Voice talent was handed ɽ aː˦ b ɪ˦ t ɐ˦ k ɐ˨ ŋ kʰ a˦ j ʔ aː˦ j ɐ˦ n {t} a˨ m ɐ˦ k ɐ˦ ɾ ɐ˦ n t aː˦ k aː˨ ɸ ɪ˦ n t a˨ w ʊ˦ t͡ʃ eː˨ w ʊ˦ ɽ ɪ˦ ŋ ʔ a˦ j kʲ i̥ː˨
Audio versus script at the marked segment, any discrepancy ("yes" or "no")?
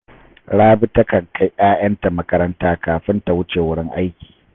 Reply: no